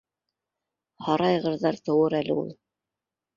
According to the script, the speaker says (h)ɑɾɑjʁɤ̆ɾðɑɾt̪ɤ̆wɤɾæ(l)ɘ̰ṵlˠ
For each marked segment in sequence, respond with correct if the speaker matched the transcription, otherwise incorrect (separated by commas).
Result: correct, correct